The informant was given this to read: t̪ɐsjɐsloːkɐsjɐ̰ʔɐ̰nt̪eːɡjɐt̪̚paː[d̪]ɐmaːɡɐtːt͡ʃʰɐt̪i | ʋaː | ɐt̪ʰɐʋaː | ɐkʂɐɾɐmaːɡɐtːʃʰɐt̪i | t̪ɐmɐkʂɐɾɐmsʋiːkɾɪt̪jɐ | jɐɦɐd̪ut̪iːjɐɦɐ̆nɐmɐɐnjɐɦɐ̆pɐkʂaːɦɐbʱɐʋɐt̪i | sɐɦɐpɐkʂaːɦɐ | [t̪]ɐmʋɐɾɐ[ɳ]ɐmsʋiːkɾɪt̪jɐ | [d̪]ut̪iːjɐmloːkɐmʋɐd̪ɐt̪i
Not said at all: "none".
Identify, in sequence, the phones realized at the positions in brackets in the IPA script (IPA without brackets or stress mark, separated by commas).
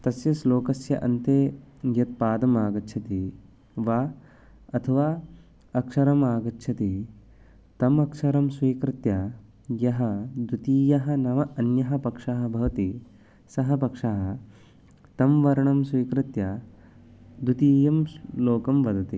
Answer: d̪, t̪, ɳ, d̪